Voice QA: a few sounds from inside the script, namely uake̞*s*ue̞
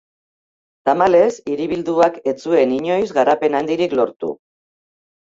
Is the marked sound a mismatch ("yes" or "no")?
yes